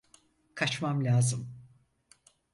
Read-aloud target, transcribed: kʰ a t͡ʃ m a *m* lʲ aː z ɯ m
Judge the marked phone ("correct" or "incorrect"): correct